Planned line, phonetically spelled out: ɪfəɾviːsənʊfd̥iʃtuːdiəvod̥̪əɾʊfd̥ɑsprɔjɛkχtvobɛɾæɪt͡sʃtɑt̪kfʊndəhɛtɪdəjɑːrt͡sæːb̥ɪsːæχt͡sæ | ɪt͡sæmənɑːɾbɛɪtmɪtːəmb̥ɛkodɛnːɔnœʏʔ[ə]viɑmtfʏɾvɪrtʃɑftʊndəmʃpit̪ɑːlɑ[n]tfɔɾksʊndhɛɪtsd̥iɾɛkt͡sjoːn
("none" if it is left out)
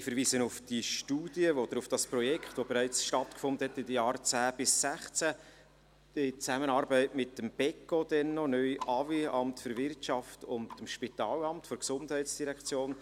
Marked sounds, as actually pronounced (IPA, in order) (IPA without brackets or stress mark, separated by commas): ɑ, m